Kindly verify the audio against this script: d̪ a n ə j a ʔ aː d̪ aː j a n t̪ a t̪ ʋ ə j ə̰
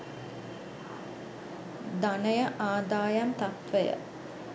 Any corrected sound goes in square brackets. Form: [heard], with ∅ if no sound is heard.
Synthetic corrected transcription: d̪ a n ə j [ə] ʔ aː d̪ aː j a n t̪ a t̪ ʋ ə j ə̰